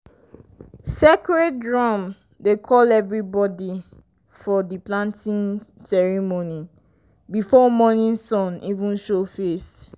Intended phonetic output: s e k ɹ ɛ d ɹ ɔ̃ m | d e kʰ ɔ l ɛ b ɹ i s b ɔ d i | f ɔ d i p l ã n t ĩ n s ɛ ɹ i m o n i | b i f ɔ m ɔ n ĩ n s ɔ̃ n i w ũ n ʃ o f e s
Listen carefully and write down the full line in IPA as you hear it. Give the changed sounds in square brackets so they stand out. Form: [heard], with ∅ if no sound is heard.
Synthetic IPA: s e k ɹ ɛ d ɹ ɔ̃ m | d e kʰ ɔ l ɛ [v] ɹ i [∅] b ɔ d i | f ɔ d i p l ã n t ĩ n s ɛ ɹ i m o n i | b i f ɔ m ɔ n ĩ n s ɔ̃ n i [v] ũ n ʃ o f e s